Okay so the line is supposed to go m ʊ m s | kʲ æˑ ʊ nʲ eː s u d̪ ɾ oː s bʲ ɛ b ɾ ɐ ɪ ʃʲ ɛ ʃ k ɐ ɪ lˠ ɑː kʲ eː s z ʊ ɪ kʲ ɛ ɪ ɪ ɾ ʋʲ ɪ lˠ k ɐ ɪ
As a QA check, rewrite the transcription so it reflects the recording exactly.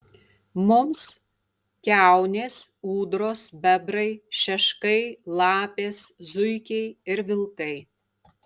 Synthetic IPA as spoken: m ʊ m s | kʲ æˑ ʊ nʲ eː s uː d̪ ɾ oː s bʲ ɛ b ɾ ɐ ɪ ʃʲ ɛ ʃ k ɐ ɪ lˠ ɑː pʲ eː s z ʊ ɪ kʲ ɛ ɪ ɪ ɾ ʋʲ ɪ lˠ k ɐ ɪ